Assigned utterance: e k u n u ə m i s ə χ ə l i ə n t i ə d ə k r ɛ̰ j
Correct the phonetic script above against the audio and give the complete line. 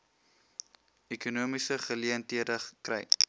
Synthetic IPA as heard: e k u n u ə m i s ə χ ə l i ə n t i ə d ə k r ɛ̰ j